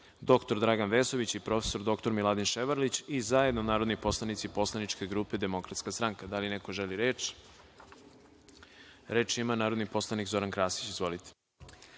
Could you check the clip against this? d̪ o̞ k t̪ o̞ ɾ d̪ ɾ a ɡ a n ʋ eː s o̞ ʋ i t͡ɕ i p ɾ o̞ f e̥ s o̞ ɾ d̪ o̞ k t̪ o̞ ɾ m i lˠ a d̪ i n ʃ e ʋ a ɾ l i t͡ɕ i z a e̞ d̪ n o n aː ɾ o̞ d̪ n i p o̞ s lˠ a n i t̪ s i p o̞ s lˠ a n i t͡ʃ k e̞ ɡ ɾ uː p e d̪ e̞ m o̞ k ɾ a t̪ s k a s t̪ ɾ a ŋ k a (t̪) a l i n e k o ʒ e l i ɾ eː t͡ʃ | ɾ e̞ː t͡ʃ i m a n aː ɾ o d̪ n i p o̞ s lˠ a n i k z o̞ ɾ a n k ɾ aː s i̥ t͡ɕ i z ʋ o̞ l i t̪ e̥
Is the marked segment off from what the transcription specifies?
yes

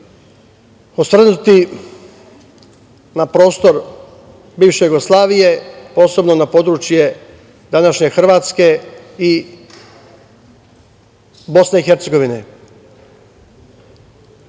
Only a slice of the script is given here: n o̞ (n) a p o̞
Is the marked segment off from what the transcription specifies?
no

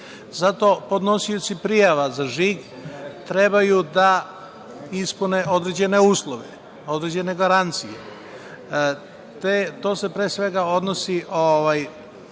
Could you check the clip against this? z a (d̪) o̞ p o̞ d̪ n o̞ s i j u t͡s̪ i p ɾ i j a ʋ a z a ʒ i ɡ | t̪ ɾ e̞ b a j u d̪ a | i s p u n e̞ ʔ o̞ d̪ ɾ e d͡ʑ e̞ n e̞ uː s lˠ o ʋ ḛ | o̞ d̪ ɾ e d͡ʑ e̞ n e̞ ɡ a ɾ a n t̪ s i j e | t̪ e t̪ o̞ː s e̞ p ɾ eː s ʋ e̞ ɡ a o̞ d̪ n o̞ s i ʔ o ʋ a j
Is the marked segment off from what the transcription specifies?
yes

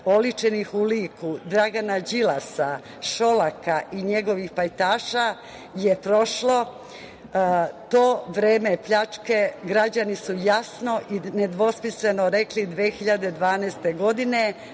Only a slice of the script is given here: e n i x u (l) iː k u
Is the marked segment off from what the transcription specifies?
no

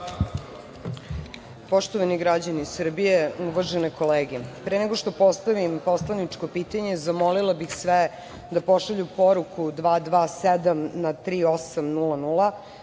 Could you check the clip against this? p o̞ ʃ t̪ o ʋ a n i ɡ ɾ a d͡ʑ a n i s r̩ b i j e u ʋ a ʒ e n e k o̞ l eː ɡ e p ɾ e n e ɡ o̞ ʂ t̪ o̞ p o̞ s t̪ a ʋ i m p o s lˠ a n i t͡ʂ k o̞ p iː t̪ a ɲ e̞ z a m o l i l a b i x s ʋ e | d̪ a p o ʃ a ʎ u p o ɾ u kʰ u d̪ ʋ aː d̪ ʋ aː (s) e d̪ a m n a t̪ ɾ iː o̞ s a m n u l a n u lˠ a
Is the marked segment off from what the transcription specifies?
no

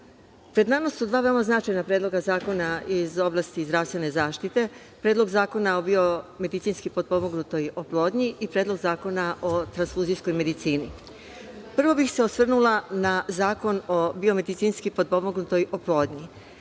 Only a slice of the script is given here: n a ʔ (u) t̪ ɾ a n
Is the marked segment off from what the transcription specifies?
yes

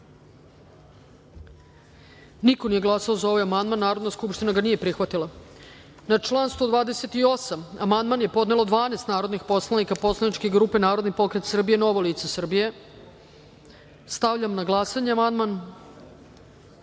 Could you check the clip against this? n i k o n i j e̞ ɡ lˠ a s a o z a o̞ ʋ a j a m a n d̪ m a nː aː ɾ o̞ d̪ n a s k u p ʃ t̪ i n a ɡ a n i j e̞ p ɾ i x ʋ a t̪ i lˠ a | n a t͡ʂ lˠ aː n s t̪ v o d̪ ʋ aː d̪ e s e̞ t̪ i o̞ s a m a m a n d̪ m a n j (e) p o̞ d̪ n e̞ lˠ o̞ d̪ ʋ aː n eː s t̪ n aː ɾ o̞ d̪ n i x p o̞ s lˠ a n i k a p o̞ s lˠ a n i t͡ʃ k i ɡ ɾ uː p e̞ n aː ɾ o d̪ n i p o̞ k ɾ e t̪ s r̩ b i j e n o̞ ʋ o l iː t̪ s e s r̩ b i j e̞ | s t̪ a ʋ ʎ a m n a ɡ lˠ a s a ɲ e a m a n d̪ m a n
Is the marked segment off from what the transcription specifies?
no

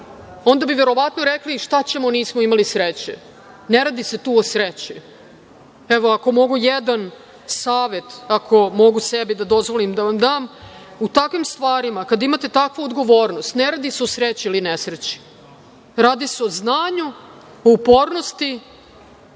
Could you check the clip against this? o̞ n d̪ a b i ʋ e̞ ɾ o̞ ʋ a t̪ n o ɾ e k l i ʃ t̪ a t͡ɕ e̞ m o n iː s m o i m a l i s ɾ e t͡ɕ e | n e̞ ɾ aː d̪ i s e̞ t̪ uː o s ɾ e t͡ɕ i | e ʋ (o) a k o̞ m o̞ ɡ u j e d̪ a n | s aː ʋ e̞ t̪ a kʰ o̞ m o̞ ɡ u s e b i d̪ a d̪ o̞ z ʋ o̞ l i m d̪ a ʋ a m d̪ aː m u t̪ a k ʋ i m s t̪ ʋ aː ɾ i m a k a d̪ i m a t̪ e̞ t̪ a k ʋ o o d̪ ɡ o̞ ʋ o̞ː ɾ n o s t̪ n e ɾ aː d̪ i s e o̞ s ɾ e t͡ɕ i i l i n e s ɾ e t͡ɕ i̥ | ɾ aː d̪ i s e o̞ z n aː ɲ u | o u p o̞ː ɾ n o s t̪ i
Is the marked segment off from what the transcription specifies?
no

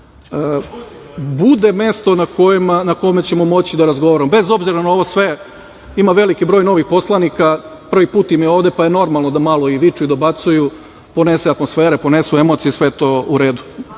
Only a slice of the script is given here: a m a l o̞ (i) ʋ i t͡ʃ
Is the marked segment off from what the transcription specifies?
no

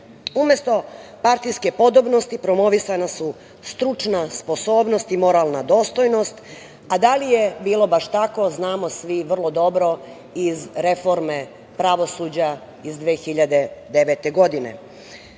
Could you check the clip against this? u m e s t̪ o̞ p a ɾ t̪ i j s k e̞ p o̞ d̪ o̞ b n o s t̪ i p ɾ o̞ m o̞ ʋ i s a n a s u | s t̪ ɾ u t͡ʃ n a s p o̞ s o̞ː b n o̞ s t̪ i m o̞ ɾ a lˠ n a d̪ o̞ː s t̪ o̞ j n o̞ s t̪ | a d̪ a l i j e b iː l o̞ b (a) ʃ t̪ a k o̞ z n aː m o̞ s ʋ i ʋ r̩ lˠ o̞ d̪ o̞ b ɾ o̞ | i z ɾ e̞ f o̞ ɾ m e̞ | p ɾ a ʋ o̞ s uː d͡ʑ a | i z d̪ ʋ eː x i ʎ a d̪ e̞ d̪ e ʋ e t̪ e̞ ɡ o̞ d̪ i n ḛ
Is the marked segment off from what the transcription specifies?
no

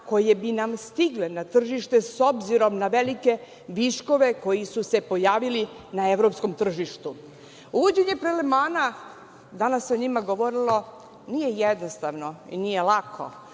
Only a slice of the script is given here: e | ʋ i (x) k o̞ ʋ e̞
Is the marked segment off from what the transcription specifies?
yes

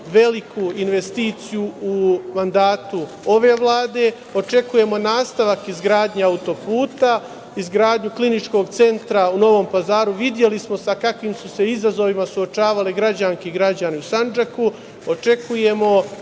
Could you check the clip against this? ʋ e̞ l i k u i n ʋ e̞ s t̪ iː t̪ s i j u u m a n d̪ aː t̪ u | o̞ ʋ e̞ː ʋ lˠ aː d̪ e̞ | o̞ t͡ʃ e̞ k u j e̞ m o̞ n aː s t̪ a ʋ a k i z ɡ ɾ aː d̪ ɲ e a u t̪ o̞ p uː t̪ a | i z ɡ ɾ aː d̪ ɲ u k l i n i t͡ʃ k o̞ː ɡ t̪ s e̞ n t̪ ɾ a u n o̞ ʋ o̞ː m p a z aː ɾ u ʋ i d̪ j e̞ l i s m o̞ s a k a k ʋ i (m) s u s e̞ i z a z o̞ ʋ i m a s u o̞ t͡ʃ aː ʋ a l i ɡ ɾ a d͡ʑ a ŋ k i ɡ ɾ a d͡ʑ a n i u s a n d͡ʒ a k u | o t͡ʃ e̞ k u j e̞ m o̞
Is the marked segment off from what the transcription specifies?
no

